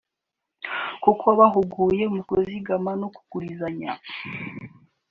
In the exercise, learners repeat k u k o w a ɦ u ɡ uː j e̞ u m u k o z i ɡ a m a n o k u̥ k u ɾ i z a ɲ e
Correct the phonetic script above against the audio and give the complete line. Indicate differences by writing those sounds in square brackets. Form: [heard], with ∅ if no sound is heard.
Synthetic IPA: k u k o [β] a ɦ u ɡ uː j e̞ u m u k o z i ɡ a m a n o k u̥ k u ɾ i z a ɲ [a]